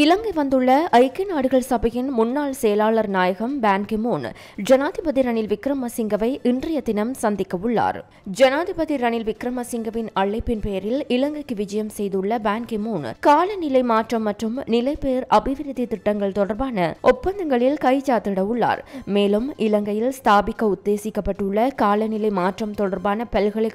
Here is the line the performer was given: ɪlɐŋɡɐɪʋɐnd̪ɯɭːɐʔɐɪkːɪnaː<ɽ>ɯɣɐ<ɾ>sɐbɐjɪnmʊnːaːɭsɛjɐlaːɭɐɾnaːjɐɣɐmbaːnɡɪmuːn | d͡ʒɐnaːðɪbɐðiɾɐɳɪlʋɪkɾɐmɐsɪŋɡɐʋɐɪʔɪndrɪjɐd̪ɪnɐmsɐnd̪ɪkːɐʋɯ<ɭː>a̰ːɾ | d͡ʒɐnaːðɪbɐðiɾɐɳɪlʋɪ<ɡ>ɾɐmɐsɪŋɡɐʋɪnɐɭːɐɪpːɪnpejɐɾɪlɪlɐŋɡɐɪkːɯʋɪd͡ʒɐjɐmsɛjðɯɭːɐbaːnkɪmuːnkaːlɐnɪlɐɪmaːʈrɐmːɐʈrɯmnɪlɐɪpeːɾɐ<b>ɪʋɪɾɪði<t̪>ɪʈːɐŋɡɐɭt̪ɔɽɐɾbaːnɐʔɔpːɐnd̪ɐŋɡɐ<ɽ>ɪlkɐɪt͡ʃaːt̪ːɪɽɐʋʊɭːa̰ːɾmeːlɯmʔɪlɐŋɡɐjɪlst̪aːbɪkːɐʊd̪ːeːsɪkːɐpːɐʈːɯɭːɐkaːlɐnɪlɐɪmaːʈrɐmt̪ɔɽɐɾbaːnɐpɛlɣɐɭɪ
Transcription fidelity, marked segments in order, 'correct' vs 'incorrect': correct, incorrect: ɭ, correct, incorrect: k, correct, correct, incorrect: ɭ

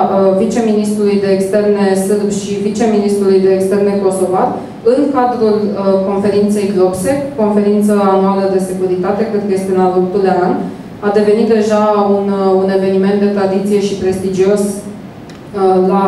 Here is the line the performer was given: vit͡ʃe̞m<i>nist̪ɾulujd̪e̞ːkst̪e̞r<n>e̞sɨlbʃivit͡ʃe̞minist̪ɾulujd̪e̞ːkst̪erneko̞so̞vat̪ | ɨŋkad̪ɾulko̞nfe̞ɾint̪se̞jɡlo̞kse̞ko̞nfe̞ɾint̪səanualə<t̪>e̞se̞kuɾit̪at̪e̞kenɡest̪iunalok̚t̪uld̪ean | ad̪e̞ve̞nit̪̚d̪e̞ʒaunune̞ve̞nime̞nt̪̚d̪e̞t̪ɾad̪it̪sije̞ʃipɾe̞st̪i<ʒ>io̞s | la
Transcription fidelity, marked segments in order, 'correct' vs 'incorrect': correct, correct, incorrect: d̪, incorrect: d͡ʒ

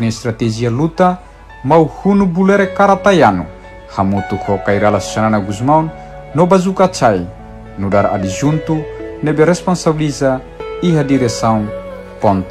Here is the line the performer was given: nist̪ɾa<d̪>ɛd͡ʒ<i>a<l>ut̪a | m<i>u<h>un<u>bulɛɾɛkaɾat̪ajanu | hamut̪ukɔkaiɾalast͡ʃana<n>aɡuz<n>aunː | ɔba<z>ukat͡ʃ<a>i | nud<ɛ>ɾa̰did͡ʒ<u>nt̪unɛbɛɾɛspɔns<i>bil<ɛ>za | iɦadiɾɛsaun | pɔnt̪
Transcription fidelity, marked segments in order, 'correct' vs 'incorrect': incorrect: t̪, correct, correct, incorrect: a, correct, correct, correct, incorrect: m, correct, correct, incorrect: a, correct, incorrect: a, incorrect: i

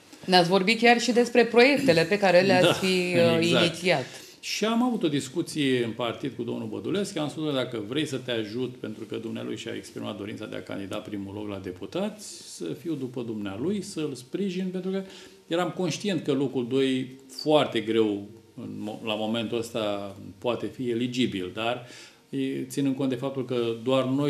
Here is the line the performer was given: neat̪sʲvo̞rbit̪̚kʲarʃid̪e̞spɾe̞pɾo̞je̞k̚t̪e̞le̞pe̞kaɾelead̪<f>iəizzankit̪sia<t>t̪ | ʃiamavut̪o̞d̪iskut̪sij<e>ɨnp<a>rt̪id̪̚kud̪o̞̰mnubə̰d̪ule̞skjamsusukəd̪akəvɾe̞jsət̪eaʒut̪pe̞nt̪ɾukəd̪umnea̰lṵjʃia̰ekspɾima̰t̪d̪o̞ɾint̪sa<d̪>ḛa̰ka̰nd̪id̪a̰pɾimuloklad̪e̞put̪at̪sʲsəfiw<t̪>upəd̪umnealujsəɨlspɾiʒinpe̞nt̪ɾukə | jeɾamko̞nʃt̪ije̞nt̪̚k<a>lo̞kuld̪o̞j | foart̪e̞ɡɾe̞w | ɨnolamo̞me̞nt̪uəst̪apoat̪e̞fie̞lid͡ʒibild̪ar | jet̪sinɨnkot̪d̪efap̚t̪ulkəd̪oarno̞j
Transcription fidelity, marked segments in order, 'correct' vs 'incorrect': correct, correct, correct, correct, correct, incorrect: d̪, incorrect: ə

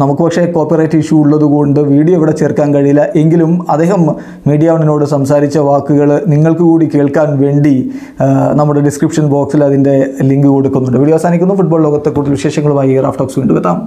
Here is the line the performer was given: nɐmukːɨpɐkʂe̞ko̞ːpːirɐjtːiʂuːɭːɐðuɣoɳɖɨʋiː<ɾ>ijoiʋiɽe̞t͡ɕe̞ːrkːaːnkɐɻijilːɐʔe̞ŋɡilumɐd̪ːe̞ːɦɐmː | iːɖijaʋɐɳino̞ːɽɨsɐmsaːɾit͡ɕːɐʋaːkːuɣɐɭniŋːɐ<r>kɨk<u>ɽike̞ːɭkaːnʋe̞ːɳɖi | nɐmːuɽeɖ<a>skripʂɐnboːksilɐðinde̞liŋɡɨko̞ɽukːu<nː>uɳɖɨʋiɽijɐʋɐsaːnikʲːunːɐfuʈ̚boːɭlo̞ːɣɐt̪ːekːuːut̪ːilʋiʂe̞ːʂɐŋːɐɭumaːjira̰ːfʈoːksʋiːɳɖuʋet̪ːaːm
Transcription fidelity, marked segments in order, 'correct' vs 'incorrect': incorrect: ɽ, incorrect: ɭ, incorrect: uː, incorrect: i, correct

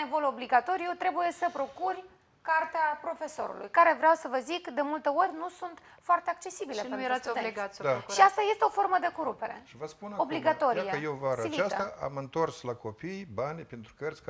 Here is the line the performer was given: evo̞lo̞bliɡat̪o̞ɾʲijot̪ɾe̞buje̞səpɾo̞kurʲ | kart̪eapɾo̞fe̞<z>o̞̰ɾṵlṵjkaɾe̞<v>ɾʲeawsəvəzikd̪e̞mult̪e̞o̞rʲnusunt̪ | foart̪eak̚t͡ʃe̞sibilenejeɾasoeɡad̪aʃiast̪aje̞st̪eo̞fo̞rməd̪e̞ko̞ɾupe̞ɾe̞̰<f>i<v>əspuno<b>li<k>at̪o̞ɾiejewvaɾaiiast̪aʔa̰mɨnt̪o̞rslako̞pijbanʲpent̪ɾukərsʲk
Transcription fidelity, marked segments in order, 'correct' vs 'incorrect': incorrect: s, correct, incorrect: ʃ, correct, correct, incorrect: ɡ

